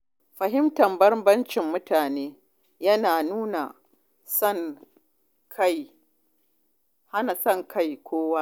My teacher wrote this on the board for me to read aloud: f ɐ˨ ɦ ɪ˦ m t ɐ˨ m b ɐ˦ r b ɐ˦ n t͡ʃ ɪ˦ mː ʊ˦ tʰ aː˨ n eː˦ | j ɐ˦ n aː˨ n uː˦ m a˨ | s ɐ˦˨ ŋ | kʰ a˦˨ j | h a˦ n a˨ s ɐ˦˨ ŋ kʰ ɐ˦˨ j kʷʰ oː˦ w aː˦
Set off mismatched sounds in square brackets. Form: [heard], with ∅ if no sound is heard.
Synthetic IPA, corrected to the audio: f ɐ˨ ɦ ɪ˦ m t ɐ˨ m b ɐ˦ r b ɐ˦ n t͡ʃ [ɪ˨] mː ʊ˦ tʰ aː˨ n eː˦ | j ɐ˦ n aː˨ n uː˦ [n] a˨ | s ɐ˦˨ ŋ | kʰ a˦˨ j | h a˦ n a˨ s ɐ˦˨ ŋ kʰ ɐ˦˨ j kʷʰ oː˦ w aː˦